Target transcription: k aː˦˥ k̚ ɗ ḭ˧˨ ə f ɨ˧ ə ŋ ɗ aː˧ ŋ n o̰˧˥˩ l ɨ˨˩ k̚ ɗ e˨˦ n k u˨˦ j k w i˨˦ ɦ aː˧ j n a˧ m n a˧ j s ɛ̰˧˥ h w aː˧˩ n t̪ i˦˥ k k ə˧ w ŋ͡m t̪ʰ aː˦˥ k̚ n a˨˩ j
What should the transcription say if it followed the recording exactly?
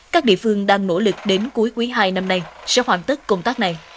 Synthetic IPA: k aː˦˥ k̚ ɗ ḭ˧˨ ə f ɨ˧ ə ŋ ɗ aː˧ ŋ n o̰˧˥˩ l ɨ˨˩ k̚ ɗ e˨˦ n k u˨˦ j k w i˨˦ ɦ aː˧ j n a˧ m n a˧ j s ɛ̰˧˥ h w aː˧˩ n t̪ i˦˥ k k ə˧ w ŋ͡m t̪ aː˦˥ k̚ n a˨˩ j